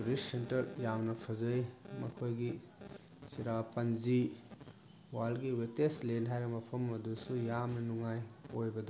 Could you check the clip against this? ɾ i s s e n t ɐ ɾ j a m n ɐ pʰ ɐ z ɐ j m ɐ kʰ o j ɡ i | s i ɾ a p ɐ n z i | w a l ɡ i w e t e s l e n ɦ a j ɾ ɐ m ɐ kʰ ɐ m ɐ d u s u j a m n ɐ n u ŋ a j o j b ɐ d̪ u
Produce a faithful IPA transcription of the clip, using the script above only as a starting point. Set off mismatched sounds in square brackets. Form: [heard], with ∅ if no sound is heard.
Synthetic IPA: ɾ i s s e n t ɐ ɾ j a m n ɐ pʰ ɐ z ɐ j m ɐ kʰ o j ɡ i | s i ɾ a p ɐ n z i | w a l ɡ i w e t e s l e n ɦ a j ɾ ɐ m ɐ [pʰ] ɐ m ɐ d u s u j a m n ɐ n u ŋ a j o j b ɐ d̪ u